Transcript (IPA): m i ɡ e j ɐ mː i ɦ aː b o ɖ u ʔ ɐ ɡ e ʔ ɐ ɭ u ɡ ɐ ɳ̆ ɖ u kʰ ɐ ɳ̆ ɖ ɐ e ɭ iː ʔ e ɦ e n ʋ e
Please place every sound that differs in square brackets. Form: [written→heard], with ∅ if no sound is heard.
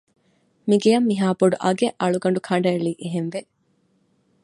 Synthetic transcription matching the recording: m i ɡ e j ɐ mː i ɦ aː b o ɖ u ʔ ɐ ɡ e ʔ ɐ ɭ u ɡ ɐ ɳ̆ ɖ u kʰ ɐ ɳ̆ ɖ ɐ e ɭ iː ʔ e ɦ e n ʋ e